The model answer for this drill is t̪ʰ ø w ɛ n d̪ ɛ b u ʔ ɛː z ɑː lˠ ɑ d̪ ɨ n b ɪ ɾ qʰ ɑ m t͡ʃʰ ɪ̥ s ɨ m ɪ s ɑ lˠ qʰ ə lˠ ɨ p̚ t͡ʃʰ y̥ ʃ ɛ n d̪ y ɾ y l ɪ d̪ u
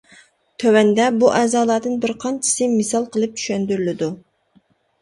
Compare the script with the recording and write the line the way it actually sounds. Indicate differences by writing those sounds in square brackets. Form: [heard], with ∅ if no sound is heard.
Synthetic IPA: t̪ʰ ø w ɛ n d̪ ɛ b u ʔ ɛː z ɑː lˠ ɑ d̪ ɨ n b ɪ ɾ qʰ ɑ [n] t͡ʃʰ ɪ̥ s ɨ m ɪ s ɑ lˠ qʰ ə lˠ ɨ p̚ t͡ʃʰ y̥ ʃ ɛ n d̪ y ɾ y l ɪ d̪ u